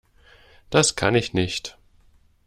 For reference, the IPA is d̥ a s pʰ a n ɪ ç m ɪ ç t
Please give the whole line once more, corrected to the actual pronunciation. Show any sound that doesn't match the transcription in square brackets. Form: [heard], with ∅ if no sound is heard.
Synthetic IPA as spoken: d̥ a s [kʰ] a n ɪ ç [n] ɪ ç t